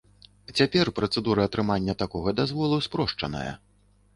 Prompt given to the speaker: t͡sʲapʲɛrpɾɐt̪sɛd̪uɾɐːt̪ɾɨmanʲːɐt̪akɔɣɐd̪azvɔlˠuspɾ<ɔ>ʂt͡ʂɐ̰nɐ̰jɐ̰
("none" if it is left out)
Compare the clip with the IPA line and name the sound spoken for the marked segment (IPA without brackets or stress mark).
ɔ